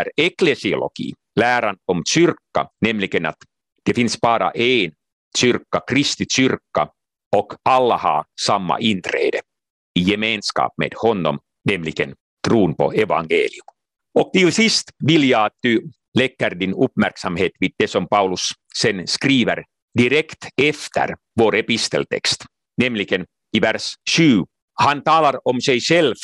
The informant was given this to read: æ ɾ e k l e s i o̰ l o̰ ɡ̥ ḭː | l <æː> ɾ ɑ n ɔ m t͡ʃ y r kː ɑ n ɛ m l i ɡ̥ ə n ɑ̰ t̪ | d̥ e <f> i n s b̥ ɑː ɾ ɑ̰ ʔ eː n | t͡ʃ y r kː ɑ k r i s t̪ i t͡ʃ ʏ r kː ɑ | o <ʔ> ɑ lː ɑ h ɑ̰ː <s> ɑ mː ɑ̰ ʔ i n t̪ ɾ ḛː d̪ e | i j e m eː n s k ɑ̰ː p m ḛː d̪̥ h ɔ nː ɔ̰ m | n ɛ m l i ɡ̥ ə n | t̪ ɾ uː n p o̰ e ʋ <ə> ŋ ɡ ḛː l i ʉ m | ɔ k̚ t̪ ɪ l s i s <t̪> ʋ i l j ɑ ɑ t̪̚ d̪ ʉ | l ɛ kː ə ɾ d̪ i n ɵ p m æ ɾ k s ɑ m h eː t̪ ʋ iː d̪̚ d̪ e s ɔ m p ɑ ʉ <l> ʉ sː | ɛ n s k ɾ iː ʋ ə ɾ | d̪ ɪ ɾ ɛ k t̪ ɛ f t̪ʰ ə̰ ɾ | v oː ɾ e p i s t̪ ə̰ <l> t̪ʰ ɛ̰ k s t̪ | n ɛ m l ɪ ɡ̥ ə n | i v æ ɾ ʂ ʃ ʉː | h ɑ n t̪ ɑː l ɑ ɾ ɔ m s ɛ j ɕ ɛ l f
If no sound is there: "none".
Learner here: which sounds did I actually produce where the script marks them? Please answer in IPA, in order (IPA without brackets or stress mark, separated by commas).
æː, f, k, s, ɑ, t̪, l, l